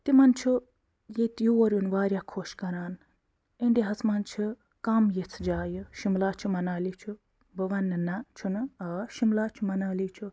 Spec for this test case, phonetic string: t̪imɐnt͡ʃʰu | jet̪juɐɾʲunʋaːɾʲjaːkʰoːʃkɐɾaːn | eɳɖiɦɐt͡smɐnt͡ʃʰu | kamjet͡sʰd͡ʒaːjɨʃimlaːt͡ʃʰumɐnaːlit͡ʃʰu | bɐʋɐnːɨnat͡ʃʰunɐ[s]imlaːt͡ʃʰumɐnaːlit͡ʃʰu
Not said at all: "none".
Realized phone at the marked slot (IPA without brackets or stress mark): ʃ